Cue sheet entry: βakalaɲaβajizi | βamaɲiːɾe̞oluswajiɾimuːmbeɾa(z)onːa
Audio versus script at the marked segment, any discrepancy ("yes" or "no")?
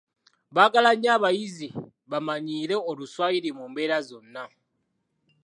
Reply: no